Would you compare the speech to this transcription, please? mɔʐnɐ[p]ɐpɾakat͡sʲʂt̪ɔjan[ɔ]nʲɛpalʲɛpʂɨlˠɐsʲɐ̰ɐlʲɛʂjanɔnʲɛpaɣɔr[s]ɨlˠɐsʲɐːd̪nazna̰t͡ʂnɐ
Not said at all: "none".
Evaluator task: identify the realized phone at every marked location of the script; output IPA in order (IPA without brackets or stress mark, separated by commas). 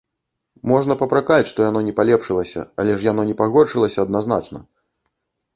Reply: p, ɔ, ʂ